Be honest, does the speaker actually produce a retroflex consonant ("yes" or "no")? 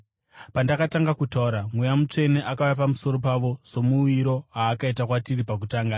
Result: yes